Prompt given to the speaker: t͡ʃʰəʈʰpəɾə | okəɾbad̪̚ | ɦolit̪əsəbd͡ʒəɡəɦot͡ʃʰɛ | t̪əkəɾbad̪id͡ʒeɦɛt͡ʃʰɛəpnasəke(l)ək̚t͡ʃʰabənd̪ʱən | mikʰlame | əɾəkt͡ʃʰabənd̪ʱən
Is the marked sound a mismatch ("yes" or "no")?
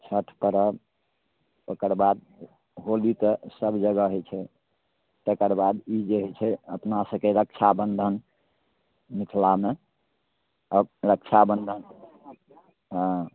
yes